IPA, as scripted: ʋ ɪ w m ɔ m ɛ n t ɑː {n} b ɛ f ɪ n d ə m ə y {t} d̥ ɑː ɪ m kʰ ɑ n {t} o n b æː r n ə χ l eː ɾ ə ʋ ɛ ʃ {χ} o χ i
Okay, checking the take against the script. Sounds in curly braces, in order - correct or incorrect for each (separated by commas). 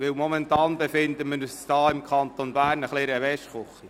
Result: correct, incorrect, correct, correct